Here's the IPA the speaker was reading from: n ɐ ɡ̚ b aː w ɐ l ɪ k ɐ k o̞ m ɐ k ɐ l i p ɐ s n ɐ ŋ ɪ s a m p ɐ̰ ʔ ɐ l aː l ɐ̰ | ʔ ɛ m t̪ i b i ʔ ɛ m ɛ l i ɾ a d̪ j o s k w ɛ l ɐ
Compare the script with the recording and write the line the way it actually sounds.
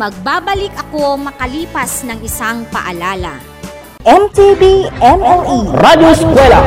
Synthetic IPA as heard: m ɐ ɡ̚ b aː b ɐ l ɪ k ɐ k o̞ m ɐ k ɐ l iː p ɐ s n ɐ ŋ ɪ s a ŋ p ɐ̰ ʔ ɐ l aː l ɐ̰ | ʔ ɛ m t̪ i b i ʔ ɛ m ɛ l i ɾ a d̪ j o s k w ɛ l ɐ